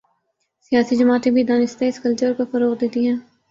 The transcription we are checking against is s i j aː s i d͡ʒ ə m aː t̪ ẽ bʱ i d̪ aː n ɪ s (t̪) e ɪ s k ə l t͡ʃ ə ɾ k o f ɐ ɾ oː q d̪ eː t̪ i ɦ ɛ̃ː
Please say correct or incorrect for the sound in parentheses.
correct